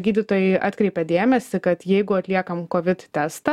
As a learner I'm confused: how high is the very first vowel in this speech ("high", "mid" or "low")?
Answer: high